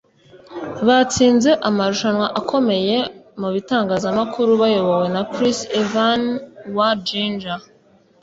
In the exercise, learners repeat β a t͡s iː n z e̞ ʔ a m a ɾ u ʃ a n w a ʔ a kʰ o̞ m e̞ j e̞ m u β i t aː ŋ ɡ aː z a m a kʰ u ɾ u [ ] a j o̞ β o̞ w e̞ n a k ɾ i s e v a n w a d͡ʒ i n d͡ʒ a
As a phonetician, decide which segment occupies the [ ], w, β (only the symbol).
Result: β